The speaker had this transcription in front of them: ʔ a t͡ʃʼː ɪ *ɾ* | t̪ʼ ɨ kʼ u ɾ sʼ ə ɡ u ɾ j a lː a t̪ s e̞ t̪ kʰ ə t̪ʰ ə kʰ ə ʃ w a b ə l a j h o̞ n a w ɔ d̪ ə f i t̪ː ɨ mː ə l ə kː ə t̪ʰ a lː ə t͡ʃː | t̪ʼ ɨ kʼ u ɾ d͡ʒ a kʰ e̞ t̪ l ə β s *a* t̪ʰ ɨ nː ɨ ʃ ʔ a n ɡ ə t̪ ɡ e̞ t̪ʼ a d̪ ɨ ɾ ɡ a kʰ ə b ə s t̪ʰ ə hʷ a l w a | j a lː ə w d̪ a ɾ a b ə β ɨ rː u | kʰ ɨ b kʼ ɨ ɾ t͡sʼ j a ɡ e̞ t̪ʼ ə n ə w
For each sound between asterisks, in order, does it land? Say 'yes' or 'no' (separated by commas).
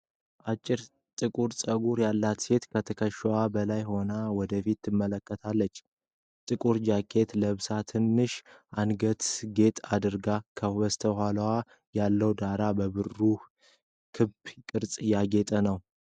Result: yes, yes